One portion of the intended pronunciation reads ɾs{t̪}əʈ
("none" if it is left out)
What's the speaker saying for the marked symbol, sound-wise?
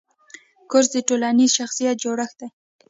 d̪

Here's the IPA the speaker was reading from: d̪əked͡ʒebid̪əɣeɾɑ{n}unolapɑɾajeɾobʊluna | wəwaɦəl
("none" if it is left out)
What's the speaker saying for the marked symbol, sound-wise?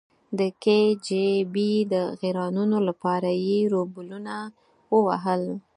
n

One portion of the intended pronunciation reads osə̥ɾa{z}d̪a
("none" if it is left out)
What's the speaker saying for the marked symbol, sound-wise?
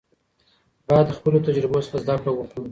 z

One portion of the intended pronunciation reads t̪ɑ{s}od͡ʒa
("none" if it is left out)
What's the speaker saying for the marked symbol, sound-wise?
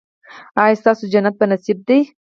s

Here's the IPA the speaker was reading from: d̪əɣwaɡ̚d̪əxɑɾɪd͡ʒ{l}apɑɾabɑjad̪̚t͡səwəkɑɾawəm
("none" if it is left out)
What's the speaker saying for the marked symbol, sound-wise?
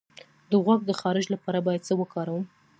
l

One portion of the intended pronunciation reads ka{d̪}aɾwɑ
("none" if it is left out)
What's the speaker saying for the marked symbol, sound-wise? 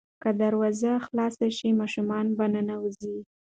d̪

